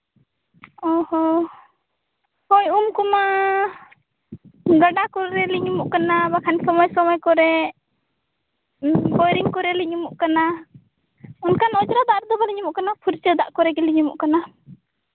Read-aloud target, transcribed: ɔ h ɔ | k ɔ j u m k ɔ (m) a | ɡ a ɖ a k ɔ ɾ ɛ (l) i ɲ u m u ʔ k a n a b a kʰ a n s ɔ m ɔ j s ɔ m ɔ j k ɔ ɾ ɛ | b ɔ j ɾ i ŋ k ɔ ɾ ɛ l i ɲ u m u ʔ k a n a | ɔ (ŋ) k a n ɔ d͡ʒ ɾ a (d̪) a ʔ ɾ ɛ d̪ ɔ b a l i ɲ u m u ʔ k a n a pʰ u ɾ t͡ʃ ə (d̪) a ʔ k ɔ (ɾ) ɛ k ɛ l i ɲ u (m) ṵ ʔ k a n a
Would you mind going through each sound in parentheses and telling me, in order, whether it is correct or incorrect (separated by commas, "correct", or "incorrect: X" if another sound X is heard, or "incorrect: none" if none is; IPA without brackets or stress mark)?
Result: correct, correct, incorrect: n, correct, correct, correct, correct